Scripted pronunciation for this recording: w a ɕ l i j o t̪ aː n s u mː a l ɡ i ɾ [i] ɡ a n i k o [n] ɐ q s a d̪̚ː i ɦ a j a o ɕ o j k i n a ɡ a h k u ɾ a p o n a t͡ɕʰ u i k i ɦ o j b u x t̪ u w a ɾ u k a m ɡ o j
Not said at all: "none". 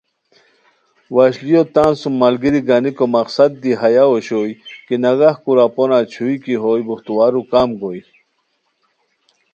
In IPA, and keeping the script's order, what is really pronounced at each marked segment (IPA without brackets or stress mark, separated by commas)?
i, m